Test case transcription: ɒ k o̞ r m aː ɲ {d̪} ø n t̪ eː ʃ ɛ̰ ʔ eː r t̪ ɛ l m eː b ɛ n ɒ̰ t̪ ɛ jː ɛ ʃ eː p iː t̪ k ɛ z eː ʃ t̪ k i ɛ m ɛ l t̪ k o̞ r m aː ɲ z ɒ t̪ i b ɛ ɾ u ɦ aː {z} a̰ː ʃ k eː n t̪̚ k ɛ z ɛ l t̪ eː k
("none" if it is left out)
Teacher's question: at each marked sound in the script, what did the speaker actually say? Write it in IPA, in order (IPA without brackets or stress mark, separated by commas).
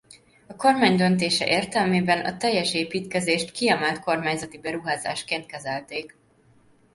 d̪, z